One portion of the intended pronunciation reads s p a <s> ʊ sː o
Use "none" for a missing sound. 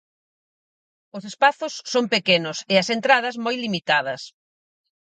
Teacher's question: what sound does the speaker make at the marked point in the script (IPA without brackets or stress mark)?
θ